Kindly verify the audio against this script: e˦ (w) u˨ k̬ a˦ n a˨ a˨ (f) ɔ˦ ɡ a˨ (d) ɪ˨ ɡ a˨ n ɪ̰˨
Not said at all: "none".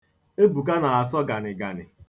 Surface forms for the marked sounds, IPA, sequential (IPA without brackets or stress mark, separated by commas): b, s, n